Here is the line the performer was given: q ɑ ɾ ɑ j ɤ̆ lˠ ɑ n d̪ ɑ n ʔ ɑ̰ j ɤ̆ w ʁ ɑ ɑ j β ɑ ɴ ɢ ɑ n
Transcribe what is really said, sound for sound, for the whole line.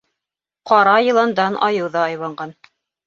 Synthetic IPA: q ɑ ɾ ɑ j ɤ̆ lˠ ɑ n d̪ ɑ n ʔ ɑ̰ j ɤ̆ w ð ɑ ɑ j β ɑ ɴ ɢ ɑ n